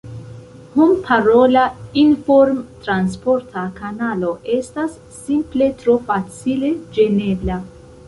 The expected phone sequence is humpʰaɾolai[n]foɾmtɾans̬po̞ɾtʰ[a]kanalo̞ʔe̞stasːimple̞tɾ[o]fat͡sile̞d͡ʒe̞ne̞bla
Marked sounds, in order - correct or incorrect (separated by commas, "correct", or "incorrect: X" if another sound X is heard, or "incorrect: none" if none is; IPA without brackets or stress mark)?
correct, correct, correct